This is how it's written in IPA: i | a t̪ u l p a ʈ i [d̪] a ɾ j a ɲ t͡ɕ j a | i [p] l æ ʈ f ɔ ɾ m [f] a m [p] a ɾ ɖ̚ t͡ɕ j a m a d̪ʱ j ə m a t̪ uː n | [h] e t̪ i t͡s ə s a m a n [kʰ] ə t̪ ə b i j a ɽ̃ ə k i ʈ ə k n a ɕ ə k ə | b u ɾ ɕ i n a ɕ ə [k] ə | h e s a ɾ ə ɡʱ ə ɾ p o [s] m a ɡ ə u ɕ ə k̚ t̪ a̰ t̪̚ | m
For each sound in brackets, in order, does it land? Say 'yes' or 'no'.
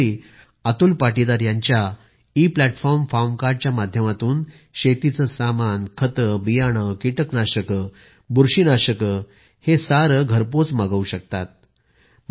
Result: yes, yes, yes, no, no, yes, yes, no

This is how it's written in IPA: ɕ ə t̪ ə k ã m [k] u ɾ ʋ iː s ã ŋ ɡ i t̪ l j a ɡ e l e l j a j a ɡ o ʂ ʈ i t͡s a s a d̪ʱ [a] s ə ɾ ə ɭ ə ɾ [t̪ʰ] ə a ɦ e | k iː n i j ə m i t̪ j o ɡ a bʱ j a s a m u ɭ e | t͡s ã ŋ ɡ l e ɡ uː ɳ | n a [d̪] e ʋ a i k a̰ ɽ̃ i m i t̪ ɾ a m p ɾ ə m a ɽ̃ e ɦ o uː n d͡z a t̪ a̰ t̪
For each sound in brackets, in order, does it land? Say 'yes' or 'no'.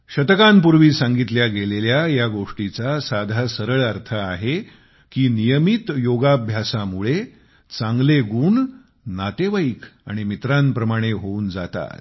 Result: no, yes, yes, no

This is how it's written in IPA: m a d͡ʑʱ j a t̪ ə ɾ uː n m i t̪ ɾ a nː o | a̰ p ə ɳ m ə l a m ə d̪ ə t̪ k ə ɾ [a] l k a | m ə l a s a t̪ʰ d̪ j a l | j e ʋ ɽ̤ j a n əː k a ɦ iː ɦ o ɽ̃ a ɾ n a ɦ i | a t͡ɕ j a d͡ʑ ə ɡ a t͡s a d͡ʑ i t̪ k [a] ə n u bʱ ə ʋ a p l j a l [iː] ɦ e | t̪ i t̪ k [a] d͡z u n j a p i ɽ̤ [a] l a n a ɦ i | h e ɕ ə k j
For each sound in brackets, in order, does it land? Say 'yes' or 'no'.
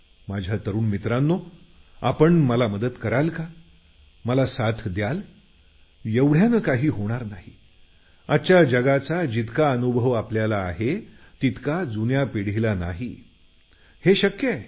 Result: yes, yes, no, yes, no

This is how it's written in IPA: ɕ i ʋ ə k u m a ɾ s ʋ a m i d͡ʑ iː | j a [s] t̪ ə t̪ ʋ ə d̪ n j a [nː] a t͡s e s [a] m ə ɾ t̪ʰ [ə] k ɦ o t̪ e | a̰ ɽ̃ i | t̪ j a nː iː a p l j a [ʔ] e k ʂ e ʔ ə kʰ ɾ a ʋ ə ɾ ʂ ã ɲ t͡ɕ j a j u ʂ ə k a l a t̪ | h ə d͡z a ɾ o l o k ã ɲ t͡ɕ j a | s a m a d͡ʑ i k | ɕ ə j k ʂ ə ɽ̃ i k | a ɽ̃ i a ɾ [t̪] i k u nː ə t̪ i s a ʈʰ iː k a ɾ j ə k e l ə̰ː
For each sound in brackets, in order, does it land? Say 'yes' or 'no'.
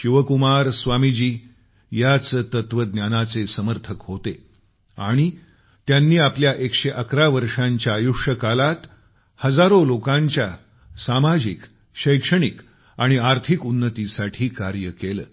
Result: no, no, no, yes, yes, no

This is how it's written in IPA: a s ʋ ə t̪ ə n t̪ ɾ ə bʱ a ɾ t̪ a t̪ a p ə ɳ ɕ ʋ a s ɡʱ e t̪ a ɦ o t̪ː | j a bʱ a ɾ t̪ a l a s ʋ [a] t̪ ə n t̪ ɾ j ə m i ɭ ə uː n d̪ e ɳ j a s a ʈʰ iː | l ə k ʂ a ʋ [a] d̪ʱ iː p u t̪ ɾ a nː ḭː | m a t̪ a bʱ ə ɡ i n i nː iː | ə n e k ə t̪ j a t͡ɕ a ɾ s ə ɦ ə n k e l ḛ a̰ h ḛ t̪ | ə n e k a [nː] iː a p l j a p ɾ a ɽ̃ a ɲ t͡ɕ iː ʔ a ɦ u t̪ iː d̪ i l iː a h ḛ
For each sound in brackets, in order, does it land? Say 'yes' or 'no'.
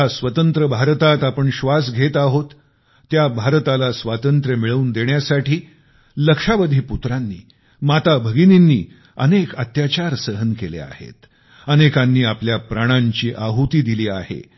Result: yes, no, yes

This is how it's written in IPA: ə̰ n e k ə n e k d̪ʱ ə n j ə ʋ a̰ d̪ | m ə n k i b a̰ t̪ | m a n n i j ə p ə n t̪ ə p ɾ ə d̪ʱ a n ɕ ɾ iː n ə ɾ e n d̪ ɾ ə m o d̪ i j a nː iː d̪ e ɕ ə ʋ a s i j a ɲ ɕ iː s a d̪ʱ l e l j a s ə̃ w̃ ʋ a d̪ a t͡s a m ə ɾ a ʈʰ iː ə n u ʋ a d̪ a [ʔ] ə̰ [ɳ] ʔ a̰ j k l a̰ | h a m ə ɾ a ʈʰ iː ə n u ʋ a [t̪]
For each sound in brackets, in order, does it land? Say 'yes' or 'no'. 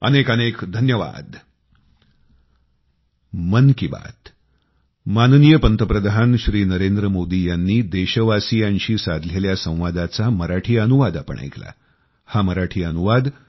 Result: no, yes, no

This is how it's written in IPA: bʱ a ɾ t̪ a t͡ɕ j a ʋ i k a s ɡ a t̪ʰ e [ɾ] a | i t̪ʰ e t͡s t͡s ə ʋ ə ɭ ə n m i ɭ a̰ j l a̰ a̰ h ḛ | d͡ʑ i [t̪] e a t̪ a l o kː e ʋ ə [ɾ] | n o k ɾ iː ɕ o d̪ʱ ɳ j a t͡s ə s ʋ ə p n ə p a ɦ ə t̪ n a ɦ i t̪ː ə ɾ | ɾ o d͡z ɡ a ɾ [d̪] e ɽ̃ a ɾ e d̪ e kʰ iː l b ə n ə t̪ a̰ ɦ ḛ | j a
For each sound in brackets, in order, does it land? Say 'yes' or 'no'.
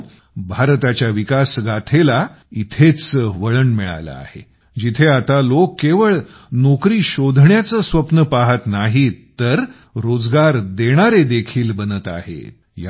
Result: no, no, no, yes

